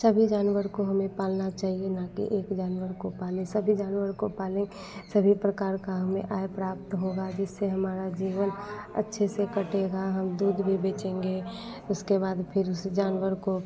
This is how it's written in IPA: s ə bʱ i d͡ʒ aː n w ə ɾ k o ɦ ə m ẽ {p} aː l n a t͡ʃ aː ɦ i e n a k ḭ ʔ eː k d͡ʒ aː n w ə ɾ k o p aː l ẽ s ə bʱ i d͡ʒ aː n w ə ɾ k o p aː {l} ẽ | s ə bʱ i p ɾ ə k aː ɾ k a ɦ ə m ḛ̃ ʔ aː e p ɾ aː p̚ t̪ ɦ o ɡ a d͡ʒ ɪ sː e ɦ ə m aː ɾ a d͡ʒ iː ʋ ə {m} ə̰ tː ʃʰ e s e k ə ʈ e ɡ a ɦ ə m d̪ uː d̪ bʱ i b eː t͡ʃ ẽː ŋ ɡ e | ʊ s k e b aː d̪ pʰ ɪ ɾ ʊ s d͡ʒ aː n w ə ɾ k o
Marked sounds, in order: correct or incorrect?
correct, correct, incorrect: n

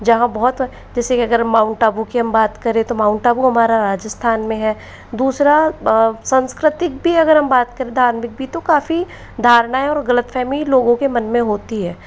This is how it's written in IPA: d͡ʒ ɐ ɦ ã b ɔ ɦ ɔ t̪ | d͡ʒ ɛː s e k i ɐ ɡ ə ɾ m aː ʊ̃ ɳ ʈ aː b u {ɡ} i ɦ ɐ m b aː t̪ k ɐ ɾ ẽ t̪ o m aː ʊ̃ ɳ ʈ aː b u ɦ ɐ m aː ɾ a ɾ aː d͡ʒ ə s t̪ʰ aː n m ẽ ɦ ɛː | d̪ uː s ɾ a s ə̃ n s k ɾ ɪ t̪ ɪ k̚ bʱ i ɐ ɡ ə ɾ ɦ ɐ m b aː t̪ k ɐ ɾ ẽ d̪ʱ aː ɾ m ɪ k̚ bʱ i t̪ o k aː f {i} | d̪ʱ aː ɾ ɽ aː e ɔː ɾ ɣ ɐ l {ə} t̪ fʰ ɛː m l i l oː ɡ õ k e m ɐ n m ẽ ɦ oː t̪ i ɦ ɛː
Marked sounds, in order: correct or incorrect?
incorrect: k, correct, correct

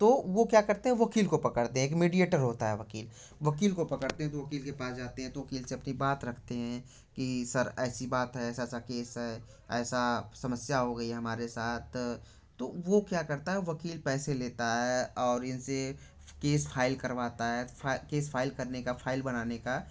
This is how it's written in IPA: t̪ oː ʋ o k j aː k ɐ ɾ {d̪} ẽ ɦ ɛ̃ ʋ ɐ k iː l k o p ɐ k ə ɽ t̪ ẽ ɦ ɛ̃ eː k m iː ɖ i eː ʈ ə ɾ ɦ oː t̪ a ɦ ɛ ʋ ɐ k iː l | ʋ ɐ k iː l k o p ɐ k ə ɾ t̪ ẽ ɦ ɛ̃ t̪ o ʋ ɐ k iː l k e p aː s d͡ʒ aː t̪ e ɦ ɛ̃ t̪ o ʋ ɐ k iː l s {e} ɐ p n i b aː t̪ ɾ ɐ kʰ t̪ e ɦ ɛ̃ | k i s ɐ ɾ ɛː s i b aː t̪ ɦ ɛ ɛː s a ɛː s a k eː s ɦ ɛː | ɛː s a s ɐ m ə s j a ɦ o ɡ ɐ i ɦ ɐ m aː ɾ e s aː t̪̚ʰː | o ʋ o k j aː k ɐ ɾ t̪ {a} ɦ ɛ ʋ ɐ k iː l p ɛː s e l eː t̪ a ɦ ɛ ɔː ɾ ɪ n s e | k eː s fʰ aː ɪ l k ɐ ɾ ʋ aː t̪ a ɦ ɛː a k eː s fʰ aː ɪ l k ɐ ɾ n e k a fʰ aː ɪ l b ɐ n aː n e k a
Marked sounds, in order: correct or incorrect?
incorrect: t̪, correct, correct

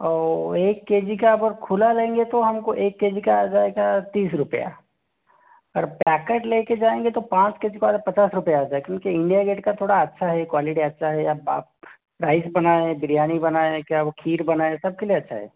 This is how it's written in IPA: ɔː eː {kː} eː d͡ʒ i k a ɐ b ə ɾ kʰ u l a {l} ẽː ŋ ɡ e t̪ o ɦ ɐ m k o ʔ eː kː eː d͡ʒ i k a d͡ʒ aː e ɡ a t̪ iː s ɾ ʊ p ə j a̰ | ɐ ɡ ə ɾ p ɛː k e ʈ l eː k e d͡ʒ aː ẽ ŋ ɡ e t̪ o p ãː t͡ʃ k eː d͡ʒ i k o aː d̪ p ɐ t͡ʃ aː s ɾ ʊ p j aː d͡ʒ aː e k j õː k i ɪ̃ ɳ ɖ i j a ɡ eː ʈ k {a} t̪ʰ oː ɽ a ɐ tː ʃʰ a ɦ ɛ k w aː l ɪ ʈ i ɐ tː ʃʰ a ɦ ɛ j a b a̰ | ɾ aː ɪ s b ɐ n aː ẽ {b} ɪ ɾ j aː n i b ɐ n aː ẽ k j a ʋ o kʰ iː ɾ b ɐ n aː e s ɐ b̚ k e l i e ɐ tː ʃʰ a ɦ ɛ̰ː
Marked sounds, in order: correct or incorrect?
correct, correct, correct, correct

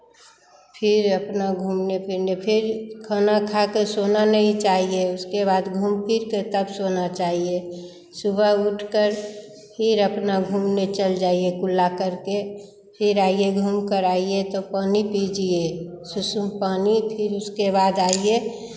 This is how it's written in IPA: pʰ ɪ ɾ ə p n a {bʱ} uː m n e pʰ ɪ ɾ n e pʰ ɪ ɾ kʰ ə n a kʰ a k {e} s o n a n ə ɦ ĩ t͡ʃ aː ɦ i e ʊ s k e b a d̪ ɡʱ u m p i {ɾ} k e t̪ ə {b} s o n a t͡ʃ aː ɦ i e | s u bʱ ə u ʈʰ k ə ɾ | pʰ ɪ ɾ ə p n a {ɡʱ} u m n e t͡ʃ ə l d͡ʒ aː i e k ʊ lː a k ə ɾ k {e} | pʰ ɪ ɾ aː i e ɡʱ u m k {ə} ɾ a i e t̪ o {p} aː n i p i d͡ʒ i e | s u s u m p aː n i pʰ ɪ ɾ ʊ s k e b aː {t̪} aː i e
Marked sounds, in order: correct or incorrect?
incorrect: ɡʱ, correct, correct, correct, correct, correct, correct, correct, incorrect: d̪

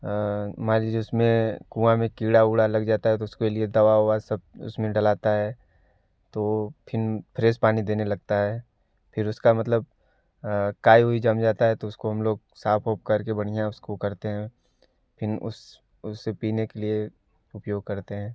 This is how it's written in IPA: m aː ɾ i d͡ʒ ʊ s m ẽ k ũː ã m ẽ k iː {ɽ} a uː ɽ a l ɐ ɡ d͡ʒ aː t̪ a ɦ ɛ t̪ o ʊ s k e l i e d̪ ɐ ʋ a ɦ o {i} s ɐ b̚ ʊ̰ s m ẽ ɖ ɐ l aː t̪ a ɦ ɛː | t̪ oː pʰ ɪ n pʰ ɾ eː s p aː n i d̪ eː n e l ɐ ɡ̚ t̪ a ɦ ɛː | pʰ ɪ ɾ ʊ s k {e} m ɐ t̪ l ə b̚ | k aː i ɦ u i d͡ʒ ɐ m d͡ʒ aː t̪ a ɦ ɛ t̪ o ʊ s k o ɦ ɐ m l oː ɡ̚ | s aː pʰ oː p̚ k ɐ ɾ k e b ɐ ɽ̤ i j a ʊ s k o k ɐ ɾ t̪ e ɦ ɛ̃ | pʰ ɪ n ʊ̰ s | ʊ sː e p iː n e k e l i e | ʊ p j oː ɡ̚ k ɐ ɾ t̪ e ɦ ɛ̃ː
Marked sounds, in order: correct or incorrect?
correct, incorrect: a, incorrect: a

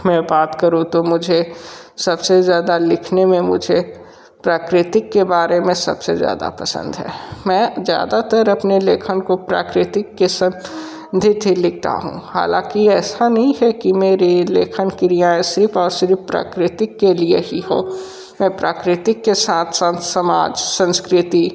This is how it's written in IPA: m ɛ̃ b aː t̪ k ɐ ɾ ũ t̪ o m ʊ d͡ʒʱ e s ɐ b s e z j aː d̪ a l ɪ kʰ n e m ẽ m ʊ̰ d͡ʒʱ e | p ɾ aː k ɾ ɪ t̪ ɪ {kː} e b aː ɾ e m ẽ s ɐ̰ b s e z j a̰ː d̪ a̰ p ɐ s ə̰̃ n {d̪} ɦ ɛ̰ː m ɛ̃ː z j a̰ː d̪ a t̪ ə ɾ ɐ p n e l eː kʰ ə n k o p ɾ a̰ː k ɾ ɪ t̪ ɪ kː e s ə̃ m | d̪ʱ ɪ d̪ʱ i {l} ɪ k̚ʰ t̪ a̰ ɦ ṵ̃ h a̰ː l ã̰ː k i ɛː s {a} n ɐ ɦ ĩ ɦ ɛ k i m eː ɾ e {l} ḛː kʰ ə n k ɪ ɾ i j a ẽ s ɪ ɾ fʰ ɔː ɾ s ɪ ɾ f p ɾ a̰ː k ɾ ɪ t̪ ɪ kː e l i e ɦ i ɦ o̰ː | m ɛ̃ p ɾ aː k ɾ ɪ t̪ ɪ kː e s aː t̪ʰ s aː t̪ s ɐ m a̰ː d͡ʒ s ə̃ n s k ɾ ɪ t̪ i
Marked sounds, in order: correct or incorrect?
correct, correct, correct, correct, correct

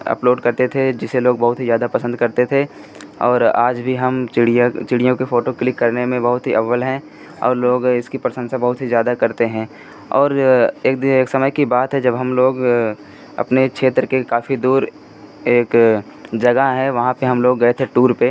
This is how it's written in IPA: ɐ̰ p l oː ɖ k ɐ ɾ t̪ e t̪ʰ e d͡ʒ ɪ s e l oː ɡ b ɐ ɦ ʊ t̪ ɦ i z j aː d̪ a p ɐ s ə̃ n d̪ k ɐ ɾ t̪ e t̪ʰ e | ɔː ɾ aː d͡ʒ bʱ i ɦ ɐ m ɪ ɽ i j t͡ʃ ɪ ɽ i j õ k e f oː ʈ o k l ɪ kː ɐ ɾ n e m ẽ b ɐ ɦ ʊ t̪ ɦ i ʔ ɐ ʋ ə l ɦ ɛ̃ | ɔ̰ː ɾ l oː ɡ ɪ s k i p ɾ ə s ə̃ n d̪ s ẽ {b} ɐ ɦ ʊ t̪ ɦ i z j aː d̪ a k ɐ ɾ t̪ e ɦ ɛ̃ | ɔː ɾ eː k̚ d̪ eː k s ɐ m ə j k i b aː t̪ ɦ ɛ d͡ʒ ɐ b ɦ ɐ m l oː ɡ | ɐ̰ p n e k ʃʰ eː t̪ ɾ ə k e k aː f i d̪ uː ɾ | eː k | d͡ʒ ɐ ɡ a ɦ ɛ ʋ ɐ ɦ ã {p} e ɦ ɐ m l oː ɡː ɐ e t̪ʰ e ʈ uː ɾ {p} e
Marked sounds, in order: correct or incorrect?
correct, correct, correct

